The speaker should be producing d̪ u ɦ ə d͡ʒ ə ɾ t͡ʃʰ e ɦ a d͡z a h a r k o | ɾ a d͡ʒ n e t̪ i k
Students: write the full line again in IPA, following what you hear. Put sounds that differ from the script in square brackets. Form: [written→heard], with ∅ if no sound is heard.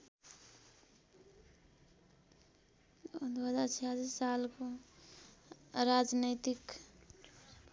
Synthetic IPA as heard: d̪ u ɦ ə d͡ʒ [ə→a] ɾ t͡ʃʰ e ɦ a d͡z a [h→s] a [r→l] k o | ɾ a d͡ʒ n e t̪ i k